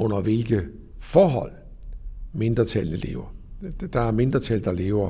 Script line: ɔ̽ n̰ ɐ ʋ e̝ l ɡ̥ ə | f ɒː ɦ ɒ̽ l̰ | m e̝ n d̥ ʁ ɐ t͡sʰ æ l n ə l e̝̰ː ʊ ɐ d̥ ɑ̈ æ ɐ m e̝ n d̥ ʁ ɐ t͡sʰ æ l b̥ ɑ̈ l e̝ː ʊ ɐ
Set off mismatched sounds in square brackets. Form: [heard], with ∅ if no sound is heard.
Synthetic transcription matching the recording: ɔ̽ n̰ ɐ ʋ e̝ l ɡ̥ ə | f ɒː ɦ ɒ̽ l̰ | m e̝ n d̥ ʁ ɐ t͡sʰ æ l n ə l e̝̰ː ʊ ɐ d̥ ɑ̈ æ ɐ m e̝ n d̥ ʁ ɐ t͡sʰ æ l [d̥] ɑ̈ l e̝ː ʊ ɐ